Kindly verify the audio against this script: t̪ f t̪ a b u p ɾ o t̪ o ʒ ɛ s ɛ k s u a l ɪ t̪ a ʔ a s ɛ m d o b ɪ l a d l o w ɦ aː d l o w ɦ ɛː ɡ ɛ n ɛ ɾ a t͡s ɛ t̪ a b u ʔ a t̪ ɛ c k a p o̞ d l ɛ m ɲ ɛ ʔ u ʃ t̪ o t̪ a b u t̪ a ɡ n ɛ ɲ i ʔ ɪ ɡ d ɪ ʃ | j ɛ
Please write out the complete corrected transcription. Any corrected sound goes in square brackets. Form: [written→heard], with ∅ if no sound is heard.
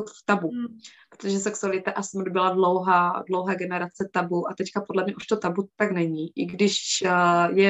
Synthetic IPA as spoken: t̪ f t̪ a b u p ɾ o t̪ o ʒ ɛ s ɛ k s u a l ɪ t̪ a ʔ a s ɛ m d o b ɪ l a d l o w ɦ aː d l o w ɦ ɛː ɡ ɛ n ɛ ɾ a t͡s ɛ t̪ a b u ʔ a t̪ ɛ c k a p o̞ d l ɛ m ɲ ɛ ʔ u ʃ t̪ o t̪ a b u t̪ a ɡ n ɛ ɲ i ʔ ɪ ɡ d ɪ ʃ | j ɛ